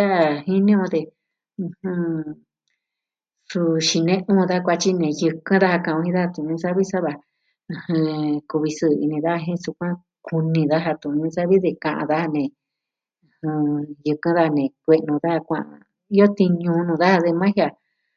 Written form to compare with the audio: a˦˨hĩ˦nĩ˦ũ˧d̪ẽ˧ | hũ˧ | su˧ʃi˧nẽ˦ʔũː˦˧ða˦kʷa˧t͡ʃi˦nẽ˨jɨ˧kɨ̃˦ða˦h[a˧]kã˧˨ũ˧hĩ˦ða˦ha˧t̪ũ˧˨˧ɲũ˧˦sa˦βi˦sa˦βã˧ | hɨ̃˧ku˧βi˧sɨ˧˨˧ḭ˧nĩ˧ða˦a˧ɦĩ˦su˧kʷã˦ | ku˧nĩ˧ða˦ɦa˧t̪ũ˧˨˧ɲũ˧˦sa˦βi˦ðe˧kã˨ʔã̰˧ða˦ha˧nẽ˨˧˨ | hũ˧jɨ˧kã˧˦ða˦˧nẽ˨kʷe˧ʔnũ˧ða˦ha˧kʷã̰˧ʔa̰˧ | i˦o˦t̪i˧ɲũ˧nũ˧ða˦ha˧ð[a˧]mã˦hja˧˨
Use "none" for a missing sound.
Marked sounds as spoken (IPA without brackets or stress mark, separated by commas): a˧, e˧